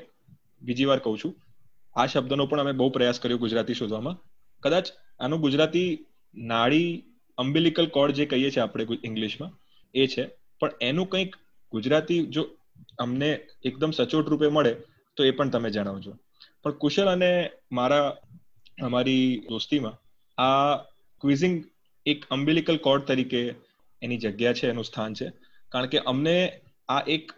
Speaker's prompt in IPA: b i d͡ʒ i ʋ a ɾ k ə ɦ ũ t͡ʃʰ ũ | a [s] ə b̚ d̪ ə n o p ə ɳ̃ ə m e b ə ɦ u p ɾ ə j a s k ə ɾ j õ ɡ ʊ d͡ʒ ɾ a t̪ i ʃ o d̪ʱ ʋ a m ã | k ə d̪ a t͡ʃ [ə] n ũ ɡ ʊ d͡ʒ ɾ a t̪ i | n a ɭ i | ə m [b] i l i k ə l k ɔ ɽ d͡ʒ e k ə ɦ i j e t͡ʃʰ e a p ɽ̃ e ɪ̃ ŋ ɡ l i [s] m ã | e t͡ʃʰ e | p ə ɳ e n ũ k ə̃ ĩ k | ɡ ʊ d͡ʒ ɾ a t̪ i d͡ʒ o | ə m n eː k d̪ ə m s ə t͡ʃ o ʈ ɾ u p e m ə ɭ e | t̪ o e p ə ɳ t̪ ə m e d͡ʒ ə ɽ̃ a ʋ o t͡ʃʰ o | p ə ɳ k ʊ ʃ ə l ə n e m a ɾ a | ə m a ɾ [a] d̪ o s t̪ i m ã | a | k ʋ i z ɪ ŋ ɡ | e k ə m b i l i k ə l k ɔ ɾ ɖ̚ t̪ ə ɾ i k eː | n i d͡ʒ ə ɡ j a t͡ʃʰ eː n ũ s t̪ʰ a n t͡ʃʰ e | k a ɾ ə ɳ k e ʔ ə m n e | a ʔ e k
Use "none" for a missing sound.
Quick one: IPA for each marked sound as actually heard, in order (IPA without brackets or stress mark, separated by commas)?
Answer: ʃ, a, b, ʃ, i